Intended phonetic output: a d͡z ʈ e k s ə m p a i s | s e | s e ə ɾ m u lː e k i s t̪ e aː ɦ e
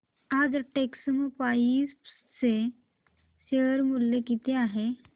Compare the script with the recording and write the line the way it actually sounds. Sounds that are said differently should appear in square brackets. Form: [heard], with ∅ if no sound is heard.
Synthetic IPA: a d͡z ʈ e k s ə m p a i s | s e | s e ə ɾ m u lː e k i [∅] t̪ e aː ɦ e